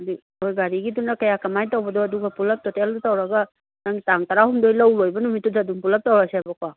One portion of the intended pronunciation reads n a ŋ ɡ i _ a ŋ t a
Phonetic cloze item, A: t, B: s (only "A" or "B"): A